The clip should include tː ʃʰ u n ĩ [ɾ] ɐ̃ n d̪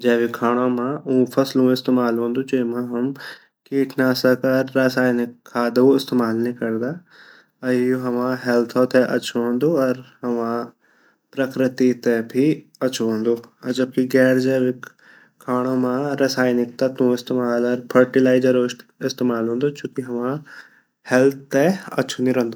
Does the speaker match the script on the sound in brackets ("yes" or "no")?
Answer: yes